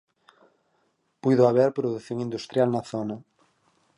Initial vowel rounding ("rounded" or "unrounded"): rounded